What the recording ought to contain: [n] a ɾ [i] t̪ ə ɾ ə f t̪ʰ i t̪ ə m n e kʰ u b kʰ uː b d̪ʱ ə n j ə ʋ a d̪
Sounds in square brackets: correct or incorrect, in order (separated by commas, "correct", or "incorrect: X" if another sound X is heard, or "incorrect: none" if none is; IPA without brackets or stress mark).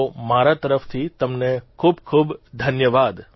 incorrect: m, incorrect: a